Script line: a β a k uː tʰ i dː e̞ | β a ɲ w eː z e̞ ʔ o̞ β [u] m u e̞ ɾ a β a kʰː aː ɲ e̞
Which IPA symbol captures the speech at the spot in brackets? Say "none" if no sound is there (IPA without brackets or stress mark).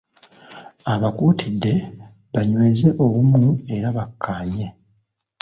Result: u